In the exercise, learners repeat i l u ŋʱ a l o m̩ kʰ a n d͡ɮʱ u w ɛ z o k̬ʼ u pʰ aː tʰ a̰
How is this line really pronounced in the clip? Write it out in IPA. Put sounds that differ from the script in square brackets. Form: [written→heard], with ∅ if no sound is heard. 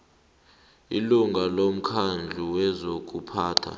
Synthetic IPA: i l u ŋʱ a l o m̩ kʰ a n d͡ɮʱ u w ɛ z o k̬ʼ u pʰ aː tʰ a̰